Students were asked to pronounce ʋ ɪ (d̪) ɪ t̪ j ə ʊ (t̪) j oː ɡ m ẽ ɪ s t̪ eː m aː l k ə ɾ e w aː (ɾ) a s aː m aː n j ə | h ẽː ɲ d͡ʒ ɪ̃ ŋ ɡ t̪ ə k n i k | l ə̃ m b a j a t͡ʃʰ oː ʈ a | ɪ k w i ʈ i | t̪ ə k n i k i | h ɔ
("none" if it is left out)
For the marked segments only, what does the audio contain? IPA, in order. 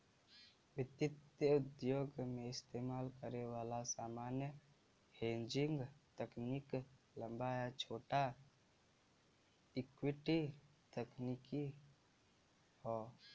t̪, d̪, l

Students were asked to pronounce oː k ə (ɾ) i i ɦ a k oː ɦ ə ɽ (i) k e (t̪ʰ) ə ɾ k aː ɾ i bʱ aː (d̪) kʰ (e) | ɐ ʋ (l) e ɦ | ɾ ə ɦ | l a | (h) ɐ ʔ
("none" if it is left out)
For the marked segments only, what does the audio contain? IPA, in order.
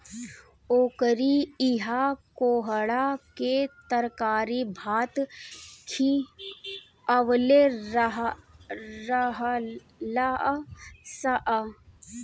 ɾ, a, t̪, t̪, i, l, s

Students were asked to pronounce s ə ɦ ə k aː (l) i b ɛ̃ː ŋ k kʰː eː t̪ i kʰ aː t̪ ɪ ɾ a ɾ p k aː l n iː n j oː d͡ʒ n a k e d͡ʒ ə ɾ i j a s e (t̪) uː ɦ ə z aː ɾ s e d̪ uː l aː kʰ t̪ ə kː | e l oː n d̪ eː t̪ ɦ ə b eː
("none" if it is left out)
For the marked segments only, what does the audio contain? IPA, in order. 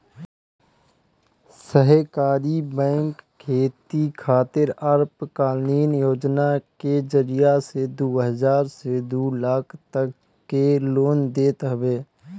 ɾ, d̪

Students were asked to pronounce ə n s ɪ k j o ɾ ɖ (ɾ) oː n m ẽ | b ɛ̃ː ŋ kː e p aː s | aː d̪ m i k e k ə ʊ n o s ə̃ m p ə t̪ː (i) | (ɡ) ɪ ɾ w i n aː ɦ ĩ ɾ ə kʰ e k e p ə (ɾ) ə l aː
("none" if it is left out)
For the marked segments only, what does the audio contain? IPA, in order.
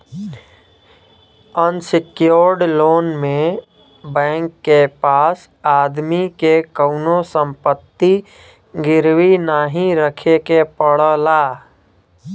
l, i, ɡ, ɽ

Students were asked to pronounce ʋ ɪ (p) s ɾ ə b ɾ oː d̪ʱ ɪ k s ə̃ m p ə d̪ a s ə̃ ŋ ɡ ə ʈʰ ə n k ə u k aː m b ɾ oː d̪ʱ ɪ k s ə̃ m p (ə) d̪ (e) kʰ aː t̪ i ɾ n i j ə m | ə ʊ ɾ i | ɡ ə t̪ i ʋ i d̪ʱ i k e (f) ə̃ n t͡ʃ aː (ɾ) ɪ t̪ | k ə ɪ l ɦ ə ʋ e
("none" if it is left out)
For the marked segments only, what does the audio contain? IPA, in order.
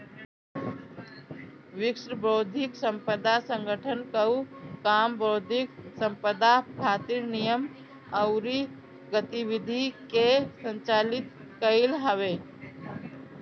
k, ə, a, s, l

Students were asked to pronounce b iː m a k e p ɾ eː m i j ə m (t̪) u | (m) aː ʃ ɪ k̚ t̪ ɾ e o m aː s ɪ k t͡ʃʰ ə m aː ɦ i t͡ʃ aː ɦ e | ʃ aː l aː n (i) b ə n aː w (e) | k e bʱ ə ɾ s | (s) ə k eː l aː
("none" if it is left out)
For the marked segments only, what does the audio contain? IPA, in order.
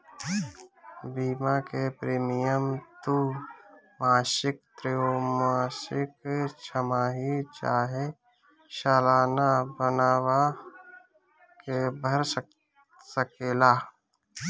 t̪, m, a, a, s

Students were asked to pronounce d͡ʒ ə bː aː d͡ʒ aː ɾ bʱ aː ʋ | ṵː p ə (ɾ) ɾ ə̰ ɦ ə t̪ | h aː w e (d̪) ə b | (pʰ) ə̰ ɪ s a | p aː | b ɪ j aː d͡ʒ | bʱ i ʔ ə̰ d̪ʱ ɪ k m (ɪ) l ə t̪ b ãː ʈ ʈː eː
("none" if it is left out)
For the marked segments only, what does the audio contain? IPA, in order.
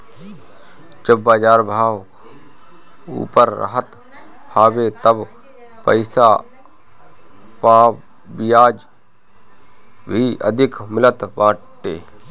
ɾ, t̪, p, ɪ

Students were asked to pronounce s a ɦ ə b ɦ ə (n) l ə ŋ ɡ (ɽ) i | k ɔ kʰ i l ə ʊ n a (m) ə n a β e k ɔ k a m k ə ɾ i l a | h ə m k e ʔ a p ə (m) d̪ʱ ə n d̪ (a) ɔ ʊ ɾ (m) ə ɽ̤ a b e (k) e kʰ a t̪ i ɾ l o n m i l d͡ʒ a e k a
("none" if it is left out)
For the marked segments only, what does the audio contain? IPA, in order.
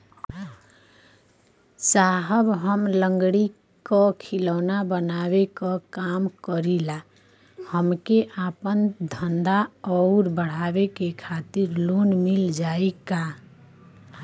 m, ɽ, b, n, a, b, k

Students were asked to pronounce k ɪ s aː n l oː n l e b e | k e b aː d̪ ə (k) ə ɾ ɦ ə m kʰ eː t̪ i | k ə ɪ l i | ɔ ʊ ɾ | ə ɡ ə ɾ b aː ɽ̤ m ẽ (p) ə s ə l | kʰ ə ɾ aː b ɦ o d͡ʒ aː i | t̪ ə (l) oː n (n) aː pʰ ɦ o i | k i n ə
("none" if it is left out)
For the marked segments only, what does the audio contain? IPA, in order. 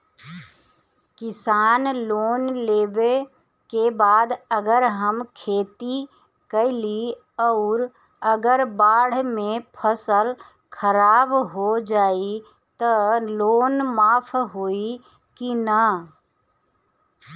ɡ, pʰ, l, m

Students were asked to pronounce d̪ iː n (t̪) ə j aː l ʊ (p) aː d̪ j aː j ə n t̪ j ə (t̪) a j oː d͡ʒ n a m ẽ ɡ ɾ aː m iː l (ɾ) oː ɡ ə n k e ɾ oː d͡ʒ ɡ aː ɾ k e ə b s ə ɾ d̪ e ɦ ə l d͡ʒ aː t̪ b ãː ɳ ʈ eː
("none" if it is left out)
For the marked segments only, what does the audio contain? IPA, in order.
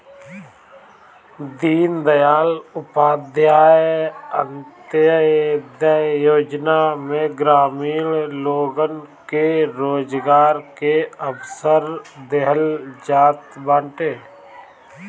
d̪, p, d̪, l

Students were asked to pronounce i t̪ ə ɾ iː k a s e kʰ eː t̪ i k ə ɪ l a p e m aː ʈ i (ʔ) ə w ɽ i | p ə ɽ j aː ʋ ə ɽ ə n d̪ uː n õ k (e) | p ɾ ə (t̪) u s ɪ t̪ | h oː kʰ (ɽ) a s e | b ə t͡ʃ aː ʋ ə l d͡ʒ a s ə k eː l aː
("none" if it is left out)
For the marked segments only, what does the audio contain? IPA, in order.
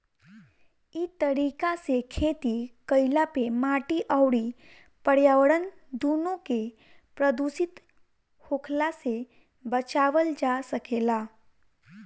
ʔ, e, d̪, l

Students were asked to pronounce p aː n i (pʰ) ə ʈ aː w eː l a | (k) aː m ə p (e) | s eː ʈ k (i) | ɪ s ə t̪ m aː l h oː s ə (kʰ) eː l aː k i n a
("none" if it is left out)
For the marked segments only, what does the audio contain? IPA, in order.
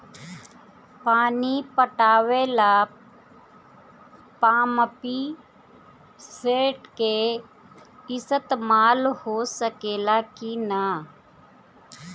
p, p, i, e, k

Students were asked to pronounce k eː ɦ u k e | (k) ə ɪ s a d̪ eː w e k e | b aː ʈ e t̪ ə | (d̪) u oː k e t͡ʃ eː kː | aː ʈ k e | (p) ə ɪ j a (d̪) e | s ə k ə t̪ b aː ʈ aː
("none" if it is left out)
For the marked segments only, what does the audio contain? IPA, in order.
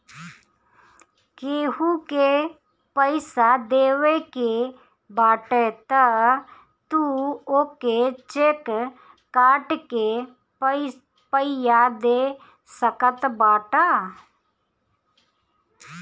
p, t̪, p, d̪

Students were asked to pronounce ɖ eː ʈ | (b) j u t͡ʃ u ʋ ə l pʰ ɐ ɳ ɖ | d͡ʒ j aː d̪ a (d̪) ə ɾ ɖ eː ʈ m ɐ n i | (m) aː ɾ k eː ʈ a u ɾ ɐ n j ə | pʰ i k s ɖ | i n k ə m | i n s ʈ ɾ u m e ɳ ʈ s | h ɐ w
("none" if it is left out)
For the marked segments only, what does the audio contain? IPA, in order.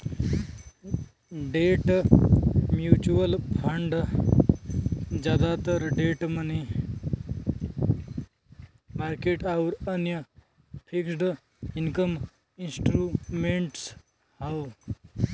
m, t̪, m

